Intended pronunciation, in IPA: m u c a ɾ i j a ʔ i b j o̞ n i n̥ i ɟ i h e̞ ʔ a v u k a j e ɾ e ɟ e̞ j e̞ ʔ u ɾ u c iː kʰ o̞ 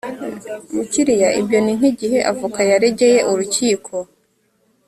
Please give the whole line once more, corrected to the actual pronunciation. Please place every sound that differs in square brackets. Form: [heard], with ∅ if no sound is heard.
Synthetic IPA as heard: m u c [i] ɾ i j a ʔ i b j o̞ n i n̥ i ɟ i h e̞ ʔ a v u k a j [a] ɾ e ɟ e̞ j e̞ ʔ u ɾ u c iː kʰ o̞